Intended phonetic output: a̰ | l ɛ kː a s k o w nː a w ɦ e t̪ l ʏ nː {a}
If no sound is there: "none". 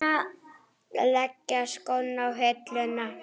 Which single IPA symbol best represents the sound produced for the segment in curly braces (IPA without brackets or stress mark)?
a